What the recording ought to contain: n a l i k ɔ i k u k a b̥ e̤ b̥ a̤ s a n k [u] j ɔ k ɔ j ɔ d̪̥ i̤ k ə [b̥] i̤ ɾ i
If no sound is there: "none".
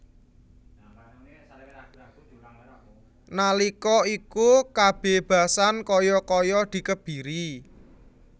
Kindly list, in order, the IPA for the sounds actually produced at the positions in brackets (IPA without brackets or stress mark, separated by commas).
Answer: ɔ, b̥